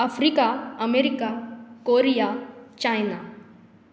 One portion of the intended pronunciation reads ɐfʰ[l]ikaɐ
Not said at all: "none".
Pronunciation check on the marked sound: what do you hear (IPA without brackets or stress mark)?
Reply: ɾ